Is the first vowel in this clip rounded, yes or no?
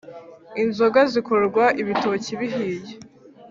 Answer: no